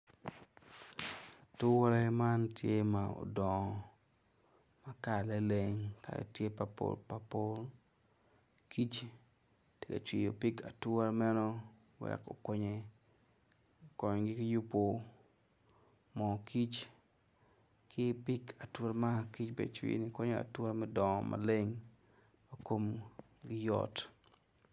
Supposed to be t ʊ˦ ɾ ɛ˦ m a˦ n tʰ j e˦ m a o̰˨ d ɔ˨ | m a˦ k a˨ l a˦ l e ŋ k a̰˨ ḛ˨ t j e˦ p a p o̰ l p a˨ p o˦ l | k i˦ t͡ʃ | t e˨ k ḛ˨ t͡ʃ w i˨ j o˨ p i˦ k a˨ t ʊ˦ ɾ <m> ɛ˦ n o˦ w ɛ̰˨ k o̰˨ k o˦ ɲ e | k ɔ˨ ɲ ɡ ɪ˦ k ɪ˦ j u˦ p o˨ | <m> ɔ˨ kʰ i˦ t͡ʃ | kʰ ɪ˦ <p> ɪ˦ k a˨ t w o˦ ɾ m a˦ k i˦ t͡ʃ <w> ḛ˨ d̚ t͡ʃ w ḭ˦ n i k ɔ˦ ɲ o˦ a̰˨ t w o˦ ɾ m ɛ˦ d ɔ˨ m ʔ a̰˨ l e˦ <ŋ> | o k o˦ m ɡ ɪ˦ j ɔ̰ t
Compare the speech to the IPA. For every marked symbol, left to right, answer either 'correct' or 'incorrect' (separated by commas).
correct, correct, correct, incorrect, correct